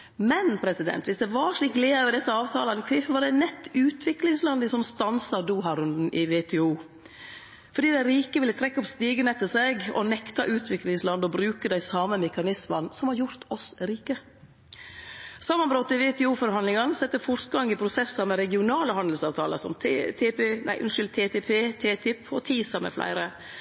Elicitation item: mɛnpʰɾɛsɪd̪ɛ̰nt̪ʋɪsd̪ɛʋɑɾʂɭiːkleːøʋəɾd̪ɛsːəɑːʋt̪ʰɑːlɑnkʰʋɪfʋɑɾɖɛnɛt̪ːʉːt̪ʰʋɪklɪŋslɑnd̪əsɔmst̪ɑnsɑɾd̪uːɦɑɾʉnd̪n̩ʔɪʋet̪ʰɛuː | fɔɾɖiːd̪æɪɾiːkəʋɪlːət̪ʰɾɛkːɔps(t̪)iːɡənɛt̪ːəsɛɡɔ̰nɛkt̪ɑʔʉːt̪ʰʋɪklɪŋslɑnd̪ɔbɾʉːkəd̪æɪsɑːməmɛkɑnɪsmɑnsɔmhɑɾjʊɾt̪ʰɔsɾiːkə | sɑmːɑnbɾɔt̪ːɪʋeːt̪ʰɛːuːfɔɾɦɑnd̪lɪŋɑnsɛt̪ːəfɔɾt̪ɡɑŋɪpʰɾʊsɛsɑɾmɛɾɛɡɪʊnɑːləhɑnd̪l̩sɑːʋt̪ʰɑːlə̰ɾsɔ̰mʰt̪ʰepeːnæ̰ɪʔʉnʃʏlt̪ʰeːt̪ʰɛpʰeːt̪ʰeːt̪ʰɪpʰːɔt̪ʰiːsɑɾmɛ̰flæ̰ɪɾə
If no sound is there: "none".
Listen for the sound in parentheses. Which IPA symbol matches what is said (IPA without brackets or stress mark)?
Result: t̪